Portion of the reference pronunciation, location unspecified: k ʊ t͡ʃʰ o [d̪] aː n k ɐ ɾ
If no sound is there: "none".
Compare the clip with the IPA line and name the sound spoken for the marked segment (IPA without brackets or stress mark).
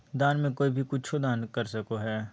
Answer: d̪